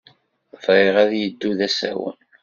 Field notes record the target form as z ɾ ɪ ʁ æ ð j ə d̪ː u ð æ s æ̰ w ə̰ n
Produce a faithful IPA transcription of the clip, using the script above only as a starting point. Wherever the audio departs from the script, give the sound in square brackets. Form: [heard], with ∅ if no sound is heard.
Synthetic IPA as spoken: [v] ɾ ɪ ʁ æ ð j ə d̪ː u ð æ s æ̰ w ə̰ n